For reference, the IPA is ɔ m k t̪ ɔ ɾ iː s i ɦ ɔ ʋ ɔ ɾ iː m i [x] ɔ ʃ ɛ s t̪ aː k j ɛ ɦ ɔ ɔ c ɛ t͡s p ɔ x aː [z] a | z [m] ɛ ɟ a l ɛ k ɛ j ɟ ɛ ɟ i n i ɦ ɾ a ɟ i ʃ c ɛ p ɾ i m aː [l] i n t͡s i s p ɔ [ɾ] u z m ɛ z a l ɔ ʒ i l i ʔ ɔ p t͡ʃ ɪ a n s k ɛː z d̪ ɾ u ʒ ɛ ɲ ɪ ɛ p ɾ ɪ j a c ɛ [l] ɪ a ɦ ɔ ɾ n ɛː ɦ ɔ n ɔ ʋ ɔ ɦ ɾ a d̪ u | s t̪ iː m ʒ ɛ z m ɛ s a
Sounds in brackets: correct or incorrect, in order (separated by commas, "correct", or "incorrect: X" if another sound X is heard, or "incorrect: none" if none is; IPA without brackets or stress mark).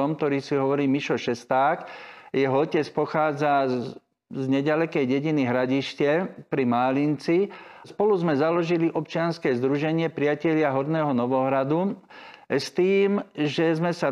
incorrect: ʃ, incorrect: d͡z, incorrect: ɲ, correct, incorrect: l, incorrect: ʎ